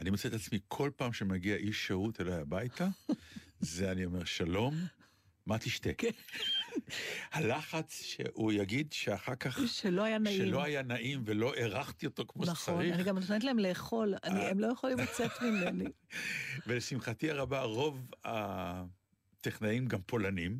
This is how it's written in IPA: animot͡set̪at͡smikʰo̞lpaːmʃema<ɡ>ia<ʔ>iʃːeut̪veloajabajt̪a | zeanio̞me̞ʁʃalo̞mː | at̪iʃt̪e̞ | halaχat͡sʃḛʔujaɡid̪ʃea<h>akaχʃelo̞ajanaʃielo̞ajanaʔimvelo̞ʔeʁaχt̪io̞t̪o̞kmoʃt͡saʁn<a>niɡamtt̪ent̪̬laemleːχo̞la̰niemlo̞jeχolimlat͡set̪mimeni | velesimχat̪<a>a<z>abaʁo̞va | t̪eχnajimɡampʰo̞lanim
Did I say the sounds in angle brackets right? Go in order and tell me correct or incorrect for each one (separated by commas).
correct, correct, incorrect, incorrect, incorrect, incorrect